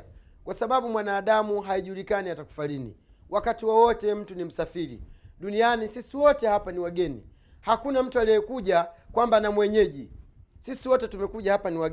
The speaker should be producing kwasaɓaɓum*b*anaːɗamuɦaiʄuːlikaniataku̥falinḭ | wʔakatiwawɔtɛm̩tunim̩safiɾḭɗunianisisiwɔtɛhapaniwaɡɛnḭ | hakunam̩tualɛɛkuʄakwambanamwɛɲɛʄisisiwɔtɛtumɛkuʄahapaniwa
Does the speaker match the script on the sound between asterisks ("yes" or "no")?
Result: no